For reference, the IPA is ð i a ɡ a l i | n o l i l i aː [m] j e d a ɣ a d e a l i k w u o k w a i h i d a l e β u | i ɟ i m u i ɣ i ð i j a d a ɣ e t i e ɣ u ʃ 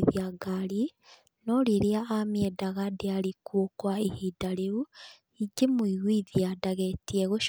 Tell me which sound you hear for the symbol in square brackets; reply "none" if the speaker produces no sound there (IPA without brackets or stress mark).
m